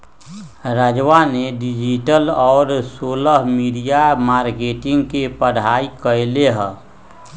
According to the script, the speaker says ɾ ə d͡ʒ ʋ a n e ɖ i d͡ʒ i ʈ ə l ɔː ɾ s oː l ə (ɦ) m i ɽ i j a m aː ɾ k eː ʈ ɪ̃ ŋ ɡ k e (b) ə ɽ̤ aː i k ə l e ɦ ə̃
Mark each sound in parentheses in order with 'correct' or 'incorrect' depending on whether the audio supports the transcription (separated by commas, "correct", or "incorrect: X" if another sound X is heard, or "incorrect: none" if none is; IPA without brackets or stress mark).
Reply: correct, incorrect: p